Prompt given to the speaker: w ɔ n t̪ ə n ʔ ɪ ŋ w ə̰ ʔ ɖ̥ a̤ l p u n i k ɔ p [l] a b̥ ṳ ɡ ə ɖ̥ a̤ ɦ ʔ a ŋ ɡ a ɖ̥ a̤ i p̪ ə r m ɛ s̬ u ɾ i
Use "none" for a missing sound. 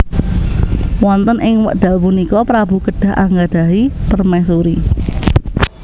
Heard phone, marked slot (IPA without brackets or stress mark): ɾ